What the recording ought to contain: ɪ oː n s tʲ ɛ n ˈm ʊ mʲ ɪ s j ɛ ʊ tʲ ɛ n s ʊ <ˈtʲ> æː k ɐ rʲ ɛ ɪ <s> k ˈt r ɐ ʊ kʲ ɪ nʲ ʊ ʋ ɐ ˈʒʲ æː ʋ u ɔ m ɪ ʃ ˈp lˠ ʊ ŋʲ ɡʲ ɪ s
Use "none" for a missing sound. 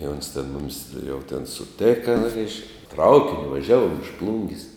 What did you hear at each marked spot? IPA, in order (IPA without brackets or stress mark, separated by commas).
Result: tʲ, ʃ